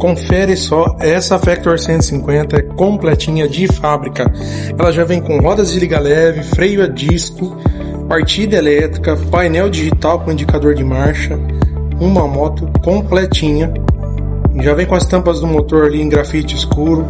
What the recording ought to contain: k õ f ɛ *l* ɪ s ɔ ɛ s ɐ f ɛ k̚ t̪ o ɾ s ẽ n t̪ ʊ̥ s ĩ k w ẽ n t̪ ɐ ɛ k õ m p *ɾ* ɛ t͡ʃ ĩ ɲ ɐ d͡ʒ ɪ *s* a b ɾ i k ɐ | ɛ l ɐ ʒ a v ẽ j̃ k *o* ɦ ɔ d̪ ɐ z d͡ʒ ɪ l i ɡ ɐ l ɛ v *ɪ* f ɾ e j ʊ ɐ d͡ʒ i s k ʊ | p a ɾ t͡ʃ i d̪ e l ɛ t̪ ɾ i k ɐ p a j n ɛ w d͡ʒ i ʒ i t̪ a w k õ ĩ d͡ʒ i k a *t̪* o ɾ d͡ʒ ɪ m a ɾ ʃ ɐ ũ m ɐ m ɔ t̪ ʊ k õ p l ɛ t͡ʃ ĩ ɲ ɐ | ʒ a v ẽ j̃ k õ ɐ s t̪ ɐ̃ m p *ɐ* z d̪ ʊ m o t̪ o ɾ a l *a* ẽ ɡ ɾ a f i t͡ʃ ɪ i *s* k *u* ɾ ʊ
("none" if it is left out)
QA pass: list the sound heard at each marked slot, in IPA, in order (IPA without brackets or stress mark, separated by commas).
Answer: ɾ, l, f, õ, ɪ, d̪, ɐ, i, s, u